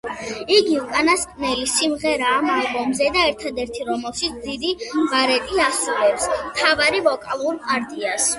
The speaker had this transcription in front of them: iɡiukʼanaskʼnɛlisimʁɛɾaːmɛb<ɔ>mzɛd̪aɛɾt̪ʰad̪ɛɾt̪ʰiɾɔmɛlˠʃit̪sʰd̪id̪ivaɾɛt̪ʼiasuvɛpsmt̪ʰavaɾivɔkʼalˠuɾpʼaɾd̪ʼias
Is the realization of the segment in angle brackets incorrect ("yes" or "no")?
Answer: no